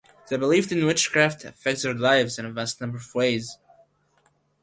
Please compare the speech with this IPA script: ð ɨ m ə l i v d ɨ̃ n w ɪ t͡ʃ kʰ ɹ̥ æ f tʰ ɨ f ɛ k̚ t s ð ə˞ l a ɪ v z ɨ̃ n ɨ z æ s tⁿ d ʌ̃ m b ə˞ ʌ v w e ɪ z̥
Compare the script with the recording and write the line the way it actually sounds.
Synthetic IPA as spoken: ð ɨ b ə l i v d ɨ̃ n w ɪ t͡ʃ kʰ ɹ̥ æ f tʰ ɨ f ɛ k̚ t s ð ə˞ l a ɪ v z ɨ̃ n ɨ v æ s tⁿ n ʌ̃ m b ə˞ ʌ v w e ɪ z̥